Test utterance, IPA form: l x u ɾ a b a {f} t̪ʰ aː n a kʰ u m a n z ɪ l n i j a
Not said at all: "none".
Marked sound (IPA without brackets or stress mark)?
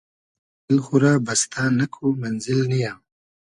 s